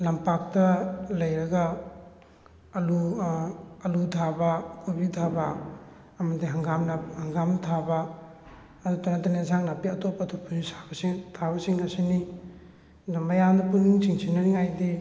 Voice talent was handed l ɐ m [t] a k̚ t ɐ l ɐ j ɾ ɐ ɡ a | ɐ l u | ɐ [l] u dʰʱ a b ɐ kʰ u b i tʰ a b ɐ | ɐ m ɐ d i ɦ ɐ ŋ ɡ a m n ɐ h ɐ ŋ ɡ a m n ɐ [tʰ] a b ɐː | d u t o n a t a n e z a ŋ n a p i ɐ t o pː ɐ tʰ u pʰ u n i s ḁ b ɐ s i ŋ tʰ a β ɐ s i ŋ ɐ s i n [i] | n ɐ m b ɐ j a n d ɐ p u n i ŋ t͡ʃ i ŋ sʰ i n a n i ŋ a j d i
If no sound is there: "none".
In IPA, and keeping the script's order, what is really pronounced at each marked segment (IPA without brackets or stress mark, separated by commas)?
p, l, tʰ, i